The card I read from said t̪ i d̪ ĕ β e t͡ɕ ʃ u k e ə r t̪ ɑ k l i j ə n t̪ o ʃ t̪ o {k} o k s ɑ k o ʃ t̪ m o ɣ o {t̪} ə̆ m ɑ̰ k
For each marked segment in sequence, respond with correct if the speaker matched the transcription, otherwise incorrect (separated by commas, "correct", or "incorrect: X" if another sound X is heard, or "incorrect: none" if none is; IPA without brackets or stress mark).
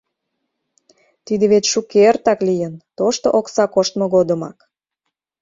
incorrect: ʔ, incorrect: d̪